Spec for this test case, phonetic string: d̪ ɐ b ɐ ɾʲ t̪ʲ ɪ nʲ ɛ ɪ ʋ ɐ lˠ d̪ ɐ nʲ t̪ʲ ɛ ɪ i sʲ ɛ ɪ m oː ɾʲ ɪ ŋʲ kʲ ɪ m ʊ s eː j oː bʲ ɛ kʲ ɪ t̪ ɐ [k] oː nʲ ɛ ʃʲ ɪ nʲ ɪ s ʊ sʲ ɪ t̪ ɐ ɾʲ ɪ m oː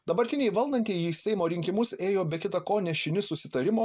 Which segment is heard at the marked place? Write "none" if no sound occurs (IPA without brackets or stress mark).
k